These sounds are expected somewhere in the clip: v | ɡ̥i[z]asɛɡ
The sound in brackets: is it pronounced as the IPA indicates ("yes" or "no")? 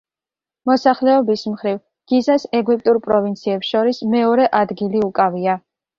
yes